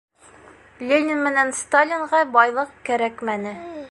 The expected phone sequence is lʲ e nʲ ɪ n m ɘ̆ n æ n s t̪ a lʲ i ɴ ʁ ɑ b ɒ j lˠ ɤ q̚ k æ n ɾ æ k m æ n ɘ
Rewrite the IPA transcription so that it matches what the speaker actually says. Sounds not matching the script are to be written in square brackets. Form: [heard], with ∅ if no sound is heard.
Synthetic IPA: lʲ e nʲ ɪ n m ɘ̆ n æ n s t̪ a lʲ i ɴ ʁ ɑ b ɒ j lˠ ɤ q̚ k æ [∅] ɾ æ k m æ n ɘ